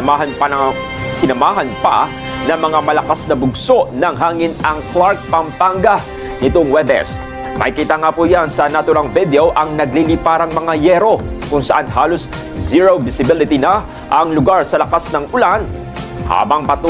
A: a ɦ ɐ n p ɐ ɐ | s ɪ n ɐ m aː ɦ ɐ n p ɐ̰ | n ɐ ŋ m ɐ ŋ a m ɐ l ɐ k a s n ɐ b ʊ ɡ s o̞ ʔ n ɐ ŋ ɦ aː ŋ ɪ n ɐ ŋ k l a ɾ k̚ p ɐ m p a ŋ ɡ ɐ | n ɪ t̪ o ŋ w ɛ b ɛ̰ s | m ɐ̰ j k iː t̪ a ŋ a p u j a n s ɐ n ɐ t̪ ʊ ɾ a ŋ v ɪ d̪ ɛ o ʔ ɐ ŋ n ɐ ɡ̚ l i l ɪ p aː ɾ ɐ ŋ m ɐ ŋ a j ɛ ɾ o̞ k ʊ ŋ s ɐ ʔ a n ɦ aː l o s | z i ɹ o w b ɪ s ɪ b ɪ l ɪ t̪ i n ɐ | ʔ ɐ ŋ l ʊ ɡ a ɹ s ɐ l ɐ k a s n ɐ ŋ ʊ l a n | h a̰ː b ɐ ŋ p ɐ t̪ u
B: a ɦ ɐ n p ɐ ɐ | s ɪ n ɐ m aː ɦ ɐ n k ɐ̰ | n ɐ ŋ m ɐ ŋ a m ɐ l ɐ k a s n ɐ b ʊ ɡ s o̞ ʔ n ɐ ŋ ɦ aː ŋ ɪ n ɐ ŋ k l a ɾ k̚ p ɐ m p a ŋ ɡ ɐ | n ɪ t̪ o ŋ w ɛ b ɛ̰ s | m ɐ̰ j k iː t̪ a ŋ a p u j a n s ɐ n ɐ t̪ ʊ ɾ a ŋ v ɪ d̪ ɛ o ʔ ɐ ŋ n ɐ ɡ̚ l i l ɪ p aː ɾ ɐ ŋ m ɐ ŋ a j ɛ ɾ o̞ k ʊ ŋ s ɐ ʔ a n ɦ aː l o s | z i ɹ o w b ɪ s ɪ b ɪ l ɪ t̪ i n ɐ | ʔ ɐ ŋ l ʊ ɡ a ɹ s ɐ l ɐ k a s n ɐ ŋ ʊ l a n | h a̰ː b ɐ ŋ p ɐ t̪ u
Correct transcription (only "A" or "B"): A